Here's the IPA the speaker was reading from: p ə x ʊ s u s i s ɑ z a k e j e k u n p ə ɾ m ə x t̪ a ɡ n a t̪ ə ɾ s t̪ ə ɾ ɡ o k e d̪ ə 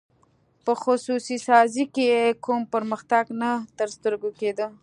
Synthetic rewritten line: p ə x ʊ s u s i s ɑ z i k e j e k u m p ə ɾ m ə x t̪ a ɡ n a t̪ ə ɾ s t̪ ə ɾ ɡ o k e d̪ ə